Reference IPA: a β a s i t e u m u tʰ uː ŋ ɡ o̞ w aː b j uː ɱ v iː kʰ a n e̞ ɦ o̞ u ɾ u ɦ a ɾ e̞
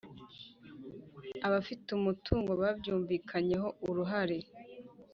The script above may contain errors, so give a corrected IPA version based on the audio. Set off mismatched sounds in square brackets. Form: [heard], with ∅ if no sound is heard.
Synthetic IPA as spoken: a β a [f] i t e u m u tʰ uː ŋ ɡ o̞ [β] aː b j uː ɱ v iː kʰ a [ɲ] e̞ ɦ o̞ u ɾ u ɦ a ɾ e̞